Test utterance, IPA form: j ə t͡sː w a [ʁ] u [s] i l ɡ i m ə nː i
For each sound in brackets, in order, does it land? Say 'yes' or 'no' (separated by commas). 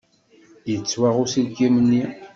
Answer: yes, yes